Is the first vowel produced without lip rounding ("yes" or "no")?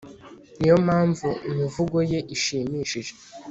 yes